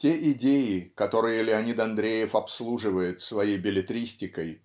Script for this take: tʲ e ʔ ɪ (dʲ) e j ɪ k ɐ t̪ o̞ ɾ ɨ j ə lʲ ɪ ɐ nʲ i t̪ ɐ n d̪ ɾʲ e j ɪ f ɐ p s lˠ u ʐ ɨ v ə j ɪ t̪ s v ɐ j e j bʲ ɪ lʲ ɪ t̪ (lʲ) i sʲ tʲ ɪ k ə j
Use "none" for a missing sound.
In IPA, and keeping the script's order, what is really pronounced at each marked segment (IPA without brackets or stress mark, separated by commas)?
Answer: dʲ, ɾʲ